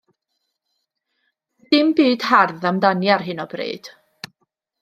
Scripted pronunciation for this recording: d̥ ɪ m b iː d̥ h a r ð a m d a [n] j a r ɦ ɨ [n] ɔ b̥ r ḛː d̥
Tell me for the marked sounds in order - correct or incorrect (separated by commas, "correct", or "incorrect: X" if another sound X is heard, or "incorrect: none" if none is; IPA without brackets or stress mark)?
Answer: correct, correct